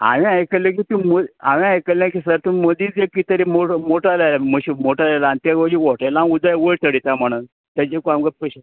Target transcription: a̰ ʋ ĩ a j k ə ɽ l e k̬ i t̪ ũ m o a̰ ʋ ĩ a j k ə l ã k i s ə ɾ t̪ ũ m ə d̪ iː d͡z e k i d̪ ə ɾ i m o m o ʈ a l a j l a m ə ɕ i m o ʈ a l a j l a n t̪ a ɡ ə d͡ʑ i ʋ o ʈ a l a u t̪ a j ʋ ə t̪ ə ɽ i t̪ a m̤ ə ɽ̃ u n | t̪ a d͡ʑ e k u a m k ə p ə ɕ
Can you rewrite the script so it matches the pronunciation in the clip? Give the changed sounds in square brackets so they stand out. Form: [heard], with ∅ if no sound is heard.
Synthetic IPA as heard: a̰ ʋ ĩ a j k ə [∅] l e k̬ i t̪ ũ m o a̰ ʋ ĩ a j k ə l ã k i s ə ɾ t̪ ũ m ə d̪ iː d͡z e k i [t̪] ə ɾ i m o m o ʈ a l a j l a m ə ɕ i m o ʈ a l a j l a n t̪ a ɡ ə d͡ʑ i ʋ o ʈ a l a u [d̪] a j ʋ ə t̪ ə ɽ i t̪ a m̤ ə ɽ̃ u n | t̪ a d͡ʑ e k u a m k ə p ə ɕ